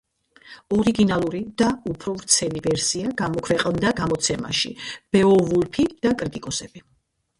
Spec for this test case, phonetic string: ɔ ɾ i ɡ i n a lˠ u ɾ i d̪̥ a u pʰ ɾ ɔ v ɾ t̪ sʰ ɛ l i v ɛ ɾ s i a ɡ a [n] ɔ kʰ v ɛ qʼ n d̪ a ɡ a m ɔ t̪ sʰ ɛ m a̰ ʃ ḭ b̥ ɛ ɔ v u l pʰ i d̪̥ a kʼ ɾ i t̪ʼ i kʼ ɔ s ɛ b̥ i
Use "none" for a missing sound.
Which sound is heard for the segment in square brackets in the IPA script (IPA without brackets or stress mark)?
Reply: m